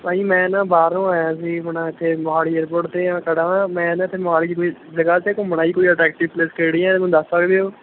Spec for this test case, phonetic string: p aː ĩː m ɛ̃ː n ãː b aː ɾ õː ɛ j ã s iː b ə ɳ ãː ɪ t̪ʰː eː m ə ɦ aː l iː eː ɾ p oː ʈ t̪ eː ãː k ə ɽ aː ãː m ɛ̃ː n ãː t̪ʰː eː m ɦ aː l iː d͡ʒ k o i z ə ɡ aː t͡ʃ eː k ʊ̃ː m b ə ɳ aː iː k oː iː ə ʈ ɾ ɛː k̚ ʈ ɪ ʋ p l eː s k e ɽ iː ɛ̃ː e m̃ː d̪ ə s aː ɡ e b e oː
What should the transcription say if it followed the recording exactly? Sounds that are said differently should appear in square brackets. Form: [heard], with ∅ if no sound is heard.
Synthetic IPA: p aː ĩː m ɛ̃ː n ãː b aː ɾ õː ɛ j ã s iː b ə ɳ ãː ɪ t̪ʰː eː m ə ɦ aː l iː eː ɾ p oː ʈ t̪ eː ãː k ə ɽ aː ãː m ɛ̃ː n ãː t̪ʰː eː m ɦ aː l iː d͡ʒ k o i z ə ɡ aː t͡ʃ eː k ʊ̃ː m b ə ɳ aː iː k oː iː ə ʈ ɾ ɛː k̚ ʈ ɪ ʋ p l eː s k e ɽ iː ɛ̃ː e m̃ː d̪ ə s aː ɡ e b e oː